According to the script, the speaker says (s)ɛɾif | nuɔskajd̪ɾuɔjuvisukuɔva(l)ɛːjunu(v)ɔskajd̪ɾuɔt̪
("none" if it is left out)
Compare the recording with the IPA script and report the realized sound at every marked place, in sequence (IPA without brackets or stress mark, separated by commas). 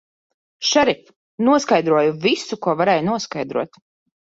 ʃ, ɾ, none